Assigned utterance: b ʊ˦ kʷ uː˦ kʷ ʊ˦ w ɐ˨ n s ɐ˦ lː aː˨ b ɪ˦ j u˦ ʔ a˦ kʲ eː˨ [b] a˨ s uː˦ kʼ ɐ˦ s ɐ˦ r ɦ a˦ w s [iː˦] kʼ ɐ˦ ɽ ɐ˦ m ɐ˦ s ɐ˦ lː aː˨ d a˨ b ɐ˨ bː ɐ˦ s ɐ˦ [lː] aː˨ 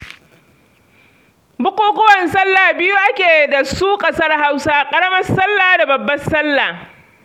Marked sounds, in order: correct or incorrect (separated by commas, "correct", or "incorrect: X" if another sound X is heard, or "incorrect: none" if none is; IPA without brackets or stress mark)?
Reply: incorrect: d, incorrect: aː˦, correct